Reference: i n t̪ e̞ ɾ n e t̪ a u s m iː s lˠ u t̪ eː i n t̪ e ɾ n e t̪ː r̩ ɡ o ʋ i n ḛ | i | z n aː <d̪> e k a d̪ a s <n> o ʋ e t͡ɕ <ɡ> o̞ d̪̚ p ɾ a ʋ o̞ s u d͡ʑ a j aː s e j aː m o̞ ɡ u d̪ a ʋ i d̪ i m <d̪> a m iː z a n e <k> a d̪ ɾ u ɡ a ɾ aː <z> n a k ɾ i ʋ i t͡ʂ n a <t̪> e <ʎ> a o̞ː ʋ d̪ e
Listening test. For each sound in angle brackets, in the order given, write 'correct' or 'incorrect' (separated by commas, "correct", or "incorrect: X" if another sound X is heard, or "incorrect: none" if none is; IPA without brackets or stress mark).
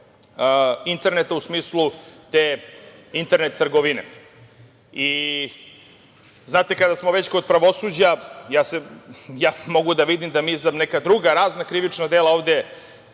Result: incorrect: t̪, incorrect: m, incorrect: k, correct, correct, correct, incorrect: d̪, incorrect: l